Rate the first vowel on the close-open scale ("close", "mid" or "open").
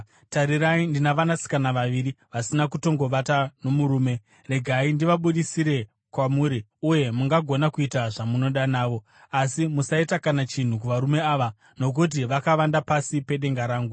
open